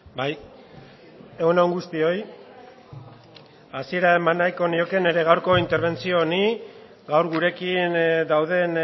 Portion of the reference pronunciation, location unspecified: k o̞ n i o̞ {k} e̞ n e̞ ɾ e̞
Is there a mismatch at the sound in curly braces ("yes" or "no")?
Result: no